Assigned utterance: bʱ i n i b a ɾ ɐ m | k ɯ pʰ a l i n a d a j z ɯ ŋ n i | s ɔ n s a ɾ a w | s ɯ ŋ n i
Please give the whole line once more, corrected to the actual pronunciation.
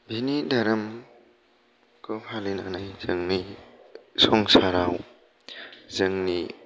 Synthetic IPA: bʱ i n i d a ɾ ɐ m | k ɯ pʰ a l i n a n a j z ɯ ŋ n i | s ɔ ŋ s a ɾ a w | z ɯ ŋ n i